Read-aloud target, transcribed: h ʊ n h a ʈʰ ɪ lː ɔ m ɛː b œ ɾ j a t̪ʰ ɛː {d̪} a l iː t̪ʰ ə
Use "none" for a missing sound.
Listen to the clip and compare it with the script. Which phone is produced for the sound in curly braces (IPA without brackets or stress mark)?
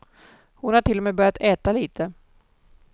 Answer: t̪